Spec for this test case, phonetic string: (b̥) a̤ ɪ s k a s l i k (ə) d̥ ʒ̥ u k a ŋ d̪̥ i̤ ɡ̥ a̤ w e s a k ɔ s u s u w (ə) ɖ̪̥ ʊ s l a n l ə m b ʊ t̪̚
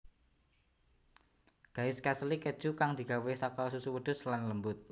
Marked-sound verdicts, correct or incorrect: incorrect, correct, correct

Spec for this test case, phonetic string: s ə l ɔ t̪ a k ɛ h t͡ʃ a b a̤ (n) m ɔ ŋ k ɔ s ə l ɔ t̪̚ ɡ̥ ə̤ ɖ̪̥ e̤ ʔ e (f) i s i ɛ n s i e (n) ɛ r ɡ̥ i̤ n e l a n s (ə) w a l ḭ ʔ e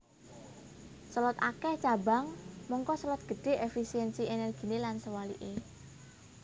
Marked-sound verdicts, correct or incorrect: incorrect, correct, correct, correct

